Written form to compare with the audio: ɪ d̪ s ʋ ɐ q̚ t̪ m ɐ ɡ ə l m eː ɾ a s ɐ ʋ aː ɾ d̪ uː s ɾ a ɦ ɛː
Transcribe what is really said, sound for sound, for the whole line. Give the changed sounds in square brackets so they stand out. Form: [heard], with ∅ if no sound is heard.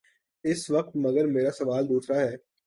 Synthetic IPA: ɪ [∅] s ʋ ɐ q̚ t̪ m ɐ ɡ ə [ɾ] m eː ɾ a s ɐ ʋ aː [l] d̪ uː s ɾ a ɦ ɛː